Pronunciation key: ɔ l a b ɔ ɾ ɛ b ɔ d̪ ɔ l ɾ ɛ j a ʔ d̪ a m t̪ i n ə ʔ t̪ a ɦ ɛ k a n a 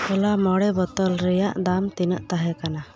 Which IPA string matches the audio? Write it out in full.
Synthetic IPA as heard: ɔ l a m ɔ ɽ ɛ b ɔ t̪ ɔ l ɾ ɛ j a ʔ d̪ a m t̪ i n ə ʔ t̪ a ɦ ɛ k a n a